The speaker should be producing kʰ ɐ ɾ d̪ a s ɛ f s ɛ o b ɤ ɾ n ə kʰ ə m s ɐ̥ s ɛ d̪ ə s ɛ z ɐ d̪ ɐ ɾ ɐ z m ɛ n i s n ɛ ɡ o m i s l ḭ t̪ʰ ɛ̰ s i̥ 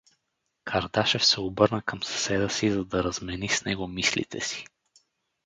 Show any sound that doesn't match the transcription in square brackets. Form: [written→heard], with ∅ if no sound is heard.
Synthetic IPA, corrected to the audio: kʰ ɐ ɾ d̪ a [s→ʃ] ɛ f s ɛ o b ɤ ɾ n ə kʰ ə m s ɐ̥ s ɛ d̪ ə s [ɛ→i] z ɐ d̪ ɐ ɾ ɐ z m ɛ n i s n ɛ ɡ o m i s l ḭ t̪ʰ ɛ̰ s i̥